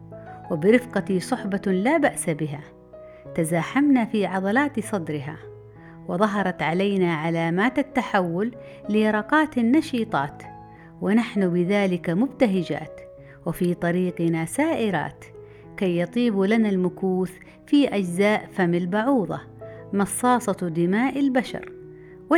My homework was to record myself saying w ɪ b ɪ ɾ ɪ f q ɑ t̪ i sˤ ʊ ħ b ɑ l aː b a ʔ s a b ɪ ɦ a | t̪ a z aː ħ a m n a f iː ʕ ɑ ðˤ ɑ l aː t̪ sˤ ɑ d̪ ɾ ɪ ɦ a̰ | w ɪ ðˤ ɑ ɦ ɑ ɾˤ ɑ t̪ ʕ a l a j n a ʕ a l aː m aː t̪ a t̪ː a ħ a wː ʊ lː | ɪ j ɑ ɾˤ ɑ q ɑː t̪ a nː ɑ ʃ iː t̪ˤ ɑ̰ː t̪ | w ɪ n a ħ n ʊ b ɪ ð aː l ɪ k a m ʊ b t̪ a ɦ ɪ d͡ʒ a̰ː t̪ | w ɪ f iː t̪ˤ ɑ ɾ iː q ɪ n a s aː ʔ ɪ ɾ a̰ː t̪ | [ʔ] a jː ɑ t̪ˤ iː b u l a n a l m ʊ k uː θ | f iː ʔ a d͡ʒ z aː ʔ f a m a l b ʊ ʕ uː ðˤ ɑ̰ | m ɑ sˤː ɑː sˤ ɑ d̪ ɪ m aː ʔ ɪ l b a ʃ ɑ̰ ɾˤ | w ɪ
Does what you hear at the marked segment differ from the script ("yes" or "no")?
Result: yes